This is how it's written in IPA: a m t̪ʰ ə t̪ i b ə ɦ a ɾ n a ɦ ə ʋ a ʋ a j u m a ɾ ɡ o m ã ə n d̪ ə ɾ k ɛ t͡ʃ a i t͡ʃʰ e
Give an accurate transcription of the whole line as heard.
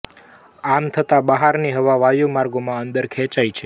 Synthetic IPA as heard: a m t̪ʰ ə t̪ a b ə ɦ a ɾ n i ɦ ə ʋ a ʋ a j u m a ɾ ɡ o m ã ə n d̪ ə ɾ kʰ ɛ t͡ʃ a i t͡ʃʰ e